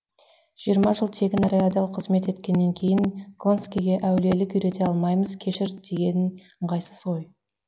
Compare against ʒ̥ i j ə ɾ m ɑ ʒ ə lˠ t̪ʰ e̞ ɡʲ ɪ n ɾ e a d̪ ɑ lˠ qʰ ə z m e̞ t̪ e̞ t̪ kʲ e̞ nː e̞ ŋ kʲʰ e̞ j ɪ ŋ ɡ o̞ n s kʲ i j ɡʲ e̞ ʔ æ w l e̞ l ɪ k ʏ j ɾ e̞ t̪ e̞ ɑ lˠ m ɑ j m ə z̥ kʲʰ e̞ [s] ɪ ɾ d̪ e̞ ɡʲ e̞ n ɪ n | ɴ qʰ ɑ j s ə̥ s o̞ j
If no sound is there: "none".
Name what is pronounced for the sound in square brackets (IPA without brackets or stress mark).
ʃ